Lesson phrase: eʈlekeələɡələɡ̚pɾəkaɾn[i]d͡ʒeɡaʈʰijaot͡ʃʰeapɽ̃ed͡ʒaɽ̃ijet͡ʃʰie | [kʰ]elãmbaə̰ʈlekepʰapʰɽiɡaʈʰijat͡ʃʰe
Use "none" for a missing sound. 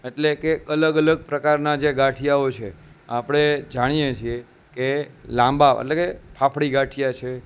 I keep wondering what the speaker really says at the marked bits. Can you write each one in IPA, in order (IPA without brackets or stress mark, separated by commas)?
a, k